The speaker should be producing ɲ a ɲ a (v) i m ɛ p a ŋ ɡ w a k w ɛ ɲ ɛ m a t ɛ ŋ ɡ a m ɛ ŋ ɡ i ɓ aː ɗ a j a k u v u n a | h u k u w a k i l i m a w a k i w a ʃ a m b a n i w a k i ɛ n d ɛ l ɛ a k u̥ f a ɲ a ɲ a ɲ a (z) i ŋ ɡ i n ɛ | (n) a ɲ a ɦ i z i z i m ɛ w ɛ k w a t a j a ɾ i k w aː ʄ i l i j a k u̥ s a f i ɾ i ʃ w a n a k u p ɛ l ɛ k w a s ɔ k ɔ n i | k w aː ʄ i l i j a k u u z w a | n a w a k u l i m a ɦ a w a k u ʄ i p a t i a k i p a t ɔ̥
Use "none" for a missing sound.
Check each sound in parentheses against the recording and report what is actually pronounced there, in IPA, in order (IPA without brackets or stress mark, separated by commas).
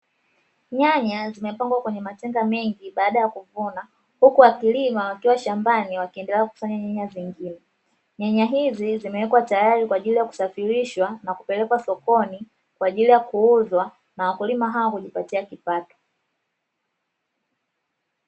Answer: z, z, ɲ